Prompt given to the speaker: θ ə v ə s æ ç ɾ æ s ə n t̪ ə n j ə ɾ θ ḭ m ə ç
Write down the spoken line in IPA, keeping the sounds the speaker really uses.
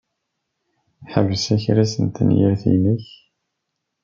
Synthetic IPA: ħ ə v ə s æ ç ɾ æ s ə n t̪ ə n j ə ɾ θ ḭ n ə ç